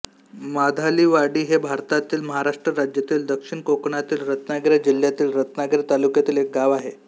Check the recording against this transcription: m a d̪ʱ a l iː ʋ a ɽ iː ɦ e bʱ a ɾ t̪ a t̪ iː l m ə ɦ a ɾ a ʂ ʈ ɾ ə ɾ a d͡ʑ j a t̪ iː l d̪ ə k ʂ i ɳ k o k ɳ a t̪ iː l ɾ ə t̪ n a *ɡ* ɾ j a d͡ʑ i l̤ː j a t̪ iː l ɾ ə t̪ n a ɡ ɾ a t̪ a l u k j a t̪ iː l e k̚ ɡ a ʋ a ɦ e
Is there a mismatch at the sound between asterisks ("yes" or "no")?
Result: no